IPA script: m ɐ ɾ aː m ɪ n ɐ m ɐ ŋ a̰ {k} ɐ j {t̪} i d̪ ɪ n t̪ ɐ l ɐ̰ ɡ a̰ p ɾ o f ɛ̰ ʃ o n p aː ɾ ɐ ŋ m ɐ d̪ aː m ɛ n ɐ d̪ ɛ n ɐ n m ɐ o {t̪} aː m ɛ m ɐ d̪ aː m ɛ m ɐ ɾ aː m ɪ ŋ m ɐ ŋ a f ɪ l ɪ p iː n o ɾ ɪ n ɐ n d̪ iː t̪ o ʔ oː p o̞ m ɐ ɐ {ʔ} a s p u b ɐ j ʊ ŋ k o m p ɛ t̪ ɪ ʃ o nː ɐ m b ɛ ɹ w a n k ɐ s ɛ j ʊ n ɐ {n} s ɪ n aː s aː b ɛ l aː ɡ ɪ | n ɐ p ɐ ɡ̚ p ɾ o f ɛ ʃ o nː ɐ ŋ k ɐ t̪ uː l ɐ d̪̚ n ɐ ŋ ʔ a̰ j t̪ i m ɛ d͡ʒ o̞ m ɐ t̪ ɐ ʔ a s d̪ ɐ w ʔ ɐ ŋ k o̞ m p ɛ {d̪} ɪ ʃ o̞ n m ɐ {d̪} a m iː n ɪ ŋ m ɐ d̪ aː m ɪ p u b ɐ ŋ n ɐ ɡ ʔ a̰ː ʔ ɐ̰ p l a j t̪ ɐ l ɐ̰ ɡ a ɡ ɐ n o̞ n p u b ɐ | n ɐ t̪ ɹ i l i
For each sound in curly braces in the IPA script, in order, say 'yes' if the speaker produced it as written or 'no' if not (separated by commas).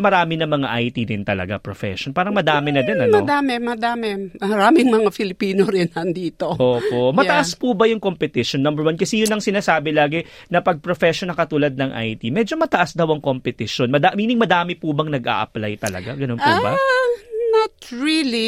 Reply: no, yes, no, yes, no, no, yes